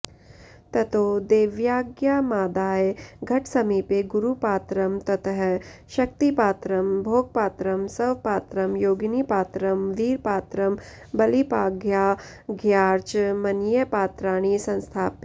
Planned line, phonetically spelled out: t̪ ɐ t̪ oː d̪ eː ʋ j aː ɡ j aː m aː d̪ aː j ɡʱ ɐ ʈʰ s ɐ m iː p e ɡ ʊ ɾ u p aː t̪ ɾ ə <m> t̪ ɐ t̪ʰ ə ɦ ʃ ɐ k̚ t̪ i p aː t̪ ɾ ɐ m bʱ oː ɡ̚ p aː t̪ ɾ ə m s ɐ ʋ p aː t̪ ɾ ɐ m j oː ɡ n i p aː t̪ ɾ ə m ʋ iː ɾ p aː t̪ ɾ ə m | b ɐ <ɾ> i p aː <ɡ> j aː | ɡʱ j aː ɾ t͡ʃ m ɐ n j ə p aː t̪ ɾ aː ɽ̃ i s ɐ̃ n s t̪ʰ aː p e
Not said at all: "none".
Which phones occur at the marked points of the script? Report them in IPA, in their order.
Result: m, l, ɡ

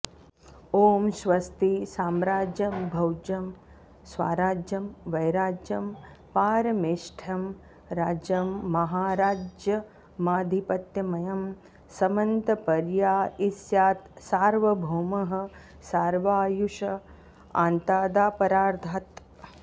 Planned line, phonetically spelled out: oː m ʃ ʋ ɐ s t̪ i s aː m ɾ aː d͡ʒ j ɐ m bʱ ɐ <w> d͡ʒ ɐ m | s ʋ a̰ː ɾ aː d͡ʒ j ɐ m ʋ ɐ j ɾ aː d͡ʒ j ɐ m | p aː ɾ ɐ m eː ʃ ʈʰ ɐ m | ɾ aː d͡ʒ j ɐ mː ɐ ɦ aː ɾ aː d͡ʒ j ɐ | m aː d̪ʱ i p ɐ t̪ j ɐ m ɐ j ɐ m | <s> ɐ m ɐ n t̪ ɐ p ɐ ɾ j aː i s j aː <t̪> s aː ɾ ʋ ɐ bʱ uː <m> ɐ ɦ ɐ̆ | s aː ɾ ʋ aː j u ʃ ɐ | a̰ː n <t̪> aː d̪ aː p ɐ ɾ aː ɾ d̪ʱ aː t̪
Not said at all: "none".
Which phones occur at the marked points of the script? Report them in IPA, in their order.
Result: w, s, t̪, m, t̪

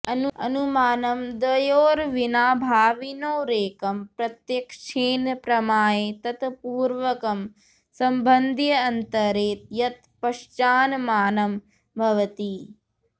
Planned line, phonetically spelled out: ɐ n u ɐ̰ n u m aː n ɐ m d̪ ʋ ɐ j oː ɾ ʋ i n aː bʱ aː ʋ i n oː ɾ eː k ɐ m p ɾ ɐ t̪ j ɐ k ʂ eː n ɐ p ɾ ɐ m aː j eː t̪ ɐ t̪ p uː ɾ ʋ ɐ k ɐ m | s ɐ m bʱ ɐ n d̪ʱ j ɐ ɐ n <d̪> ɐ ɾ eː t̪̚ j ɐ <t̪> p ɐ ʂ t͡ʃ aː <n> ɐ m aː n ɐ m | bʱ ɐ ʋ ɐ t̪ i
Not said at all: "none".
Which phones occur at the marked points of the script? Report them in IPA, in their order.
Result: t̪, t̪, n

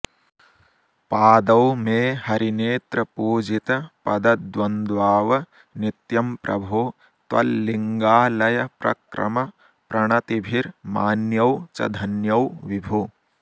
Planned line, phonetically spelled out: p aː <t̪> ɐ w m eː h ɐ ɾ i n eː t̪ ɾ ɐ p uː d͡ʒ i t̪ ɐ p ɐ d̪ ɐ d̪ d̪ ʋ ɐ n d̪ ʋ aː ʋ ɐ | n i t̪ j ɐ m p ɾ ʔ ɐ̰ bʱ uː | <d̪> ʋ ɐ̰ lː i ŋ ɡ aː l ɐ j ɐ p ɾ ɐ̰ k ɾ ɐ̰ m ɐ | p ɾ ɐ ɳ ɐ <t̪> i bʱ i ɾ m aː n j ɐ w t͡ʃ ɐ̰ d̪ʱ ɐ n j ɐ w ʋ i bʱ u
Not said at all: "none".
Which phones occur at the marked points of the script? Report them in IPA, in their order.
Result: d̪, t̪, t̪

